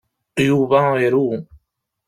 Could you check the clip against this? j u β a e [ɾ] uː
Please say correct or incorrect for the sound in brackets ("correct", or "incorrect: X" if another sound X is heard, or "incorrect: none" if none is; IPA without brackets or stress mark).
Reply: correct